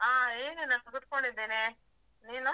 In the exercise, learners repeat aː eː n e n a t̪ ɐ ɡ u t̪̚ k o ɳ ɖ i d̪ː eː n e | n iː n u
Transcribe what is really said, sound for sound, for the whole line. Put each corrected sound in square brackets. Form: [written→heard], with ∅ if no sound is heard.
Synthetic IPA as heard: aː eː n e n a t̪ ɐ ɡ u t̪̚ k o ɳ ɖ i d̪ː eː n e | n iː n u